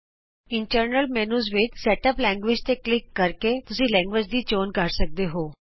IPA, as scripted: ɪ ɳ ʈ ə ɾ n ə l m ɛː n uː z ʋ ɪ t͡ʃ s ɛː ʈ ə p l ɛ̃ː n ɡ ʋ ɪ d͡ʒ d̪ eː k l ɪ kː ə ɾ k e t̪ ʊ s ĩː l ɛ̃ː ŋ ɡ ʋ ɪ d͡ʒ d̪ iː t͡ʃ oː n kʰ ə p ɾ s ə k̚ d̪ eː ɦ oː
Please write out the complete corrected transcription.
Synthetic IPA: ɪ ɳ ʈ ə ɾ n ə l m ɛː n uː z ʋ ɪ t͡ʃ s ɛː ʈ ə p l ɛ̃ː ŋ ɡ ʋ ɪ d͡ʒ t̪ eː k l ɪ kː ə ɾ k e t̪ ʊ s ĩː l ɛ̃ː ŋ ɡ ʋ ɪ d͡ʒ d̪ iː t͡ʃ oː n k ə ɾ s ə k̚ d̪ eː ɦ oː